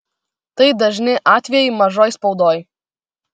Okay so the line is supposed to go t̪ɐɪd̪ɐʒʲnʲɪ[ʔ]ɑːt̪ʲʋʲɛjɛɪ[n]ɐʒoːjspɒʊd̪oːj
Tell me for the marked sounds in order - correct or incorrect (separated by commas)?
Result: correct, incorrect